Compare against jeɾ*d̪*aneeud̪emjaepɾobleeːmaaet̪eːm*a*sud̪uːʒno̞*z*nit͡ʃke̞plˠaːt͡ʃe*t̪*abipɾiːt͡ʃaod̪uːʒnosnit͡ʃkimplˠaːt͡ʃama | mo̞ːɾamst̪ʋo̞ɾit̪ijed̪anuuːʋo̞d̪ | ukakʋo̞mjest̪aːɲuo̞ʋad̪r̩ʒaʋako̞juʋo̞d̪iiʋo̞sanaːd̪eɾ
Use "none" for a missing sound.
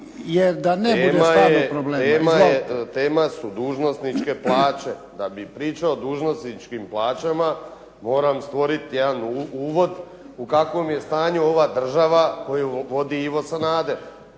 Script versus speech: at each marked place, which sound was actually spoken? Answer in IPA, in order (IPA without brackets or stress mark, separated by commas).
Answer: d̪, a, s, d̪